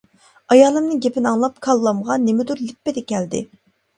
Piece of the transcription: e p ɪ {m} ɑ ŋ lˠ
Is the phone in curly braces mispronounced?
yes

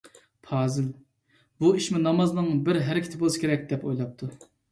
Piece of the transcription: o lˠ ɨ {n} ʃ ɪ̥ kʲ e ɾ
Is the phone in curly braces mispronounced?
yes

